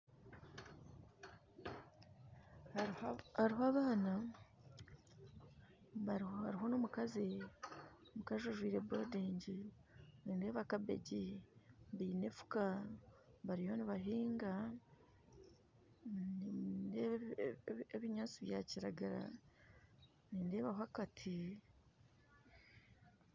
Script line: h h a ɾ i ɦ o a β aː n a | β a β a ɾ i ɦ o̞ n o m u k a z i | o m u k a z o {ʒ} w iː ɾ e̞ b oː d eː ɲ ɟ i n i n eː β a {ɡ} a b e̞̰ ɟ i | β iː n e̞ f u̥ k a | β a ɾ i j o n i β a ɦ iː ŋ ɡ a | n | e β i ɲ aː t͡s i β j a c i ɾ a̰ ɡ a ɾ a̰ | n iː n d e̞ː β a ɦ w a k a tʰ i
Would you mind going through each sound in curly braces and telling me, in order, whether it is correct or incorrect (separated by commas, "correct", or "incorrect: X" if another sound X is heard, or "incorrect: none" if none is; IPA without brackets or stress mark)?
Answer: correct, incorrect: k